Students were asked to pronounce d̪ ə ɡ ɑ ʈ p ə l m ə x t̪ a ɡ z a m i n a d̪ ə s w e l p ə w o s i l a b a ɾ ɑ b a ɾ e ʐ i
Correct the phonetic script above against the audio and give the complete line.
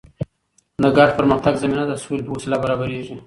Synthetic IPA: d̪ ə ɡ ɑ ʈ p ə ɾ m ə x t̪ a ɡ z a m i n a d̪ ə s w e l p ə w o s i l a b a ɾ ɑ b a ɾ e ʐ i